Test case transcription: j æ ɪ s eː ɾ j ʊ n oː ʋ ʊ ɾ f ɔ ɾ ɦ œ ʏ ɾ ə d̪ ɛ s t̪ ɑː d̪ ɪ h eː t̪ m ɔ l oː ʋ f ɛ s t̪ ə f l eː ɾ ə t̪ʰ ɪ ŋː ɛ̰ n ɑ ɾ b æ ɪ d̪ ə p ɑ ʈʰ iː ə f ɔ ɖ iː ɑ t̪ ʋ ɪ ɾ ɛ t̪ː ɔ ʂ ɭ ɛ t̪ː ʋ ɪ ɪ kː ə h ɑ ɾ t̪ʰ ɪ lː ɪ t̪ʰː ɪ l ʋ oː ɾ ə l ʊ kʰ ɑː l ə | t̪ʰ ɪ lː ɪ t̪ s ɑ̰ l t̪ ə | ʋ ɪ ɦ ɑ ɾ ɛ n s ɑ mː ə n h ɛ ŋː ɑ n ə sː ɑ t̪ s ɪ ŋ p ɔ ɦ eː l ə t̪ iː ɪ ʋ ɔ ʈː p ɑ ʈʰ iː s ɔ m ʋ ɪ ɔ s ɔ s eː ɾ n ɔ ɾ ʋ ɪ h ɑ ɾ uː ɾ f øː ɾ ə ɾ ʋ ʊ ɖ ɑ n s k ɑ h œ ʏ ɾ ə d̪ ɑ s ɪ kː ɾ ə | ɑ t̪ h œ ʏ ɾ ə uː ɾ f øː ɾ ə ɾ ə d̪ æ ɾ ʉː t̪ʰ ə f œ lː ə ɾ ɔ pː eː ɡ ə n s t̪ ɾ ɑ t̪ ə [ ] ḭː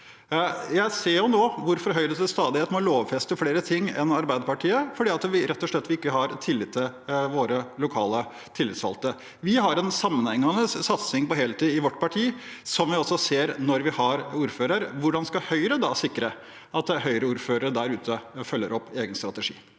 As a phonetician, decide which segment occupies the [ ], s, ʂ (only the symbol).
ʂ